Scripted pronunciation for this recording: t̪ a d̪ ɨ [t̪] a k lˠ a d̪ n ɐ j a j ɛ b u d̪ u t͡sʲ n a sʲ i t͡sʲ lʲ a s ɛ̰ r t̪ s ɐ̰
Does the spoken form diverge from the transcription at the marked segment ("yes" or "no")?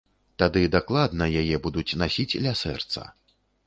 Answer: yes